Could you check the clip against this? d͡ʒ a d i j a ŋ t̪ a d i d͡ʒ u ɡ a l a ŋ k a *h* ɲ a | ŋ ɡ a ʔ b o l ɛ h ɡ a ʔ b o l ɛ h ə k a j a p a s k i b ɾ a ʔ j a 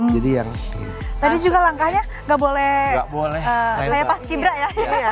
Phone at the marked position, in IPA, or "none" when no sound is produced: h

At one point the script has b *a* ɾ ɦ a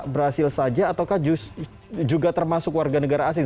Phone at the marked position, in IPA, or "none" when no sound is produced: ə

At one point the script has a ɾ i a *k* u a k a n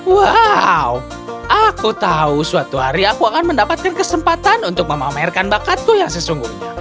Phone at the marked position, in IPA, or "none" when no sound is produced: k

